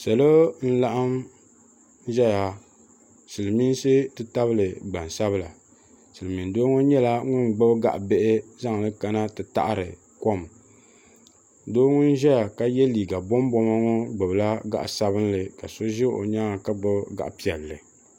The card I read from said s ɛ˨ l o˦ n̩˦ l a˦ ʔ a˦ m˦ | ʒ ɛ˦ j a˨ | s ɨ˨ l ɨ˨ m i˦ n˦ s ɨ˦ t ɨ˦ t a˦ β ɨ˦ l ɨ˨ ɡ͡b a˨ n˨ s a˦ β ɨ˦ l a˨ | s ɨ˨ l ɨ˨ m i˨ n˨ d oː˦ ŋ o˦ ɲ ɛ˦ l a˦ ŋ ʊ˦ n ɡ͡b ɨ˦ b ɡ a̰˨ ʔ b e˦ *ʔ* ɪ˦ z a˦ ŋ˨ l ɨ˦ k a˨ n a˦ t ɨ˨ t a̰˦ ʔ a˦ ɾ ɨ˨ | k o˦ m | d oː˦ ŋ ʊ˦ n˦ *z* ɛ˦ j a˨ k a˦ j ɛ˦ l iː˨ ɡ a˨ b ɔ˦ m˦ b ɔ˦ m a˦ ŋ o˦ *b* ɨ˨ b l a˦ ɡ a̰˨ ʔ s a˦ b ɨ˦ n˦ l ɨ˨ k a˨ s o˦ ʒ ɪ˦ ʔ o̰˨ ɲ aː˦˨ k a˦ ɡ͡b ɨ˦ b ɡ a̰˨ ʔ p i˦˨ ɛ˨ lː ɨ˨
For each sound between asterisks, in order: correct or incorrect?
correct, incorrect, incorrect

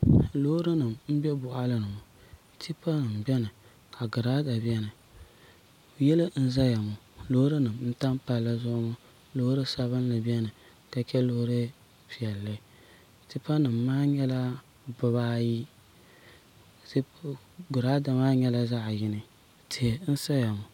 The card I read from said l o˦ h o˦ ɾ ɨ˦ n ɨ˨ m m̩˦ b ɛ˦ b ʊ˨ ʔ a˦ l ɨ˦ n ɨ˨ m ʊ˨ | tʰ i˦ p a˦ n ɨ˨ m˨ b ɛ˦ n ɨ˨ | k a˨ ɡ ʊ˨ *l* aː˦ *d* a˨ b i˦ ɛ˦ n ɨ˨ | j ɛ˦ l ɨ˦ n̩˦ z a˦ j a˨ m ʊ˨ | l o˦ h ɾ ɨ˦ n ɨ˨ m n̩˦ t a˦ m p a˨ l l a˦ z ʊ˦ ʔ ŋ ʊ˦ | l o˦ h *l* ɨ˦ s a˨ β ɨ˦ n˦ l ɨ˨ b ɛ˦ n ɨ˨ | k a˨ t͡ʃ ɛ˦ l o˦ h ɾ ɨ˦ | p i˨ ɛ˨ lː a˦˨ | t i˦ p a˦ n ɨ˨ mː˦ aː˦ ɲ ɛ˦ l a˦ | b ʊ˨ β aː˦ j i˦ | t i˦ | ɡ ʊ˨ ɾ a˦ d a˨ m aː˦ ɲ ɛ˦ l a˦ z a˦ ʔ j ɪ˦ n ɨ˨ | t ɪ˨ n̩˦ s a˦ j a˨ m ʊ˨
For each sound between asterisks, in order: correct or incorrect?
incorrect, correct, incorrect

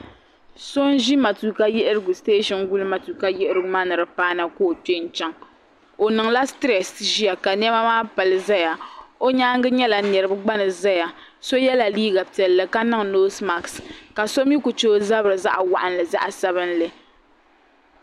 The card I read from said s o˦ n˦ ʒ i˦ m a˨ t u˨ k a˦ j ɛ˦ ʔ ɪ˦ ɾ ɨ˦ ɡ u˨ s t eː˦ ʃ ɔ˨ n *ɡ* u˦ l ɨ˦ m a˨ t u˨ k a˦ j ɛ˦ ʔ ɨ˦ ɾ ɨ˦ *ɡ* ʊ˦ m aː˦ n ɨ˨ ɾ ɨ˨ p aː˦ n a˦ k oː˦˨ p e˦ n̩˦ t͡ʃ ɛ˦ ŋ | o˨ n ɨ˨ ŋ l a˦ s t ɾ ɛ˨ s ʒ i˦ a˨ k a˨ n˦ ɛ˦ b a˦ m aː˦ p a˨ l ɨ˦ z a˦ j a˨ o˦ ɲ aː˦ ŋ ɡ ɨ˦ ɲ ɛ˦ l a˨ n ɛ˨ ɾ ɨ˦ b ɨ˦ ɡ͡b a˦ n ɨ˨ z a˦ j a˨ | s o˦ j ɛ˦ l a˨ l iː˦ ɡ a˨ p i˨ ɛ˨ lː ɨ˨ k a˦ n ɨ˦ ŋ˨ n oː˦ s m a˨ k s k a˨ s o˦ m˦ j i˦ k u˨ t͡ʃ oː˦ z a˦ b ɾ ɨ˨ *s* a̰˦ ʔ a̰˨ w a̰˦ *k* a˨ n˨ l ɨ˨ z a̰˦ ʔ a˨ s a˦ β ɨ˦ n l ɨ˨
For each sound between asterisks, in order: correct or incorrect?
correct, correct, incorrect, incorrect

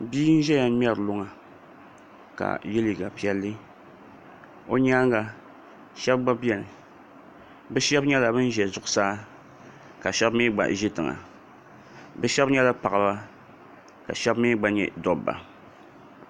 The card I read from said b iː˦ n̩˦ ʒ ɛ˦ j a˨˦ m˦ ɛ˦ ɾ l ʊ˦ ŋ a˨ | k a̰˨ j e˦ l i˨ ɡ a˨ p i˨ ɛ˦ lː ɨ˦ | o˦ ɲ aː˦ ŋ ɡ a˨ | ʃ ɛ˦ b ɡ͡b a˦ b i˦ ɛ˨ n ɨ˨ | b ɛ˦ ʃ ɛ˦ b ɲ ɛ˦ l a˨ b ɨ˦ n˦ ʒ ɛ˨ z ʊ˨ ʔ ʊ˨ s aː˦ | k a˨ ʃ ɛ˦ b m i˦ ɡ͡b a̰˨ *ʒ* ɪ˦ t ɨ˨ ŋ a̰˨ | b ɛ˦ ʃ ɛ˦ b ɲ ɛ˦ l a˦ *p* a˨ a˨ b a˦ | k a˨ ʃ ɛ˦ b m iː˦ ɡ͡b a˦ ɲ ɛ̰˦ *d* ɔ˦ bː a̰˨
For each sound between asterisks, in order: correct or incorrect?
correct, correct, correct

